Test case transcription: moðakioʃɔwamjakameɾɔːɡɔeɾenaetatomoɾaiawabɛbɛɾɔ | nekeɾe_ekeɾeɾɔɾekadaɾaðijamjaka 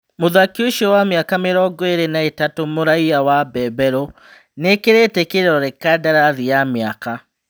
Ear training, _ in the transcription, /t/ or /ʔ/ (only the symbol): t